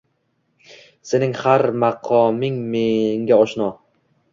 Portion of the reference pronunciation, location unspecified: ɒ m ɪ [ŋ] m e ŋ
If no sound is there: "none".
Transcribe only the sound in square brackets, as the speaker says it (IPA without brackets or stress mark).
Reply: ŋ